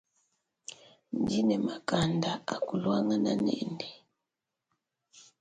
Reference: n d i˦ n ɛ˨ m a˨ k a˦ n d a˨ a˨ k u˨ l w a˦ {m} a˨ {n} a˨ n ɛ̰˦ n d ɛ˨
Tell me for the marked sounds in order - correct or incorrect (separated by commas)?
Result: incorrect, correct